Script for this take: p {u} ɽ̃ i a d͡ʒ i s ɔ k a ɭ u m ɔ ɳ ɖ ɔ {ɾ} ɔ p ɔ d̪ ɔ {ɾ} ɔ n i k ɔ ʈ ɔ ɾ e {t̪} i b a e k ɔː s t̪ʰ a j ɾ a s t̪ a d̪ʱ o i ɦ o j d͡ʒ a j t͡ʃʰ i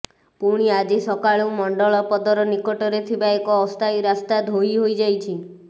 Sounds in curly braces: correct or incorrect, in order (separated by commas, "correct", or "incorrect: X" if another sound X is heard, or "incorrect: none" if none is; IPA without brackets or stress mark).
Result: correct, incorrect: ɭ, correct, incorrect: t̪ʰ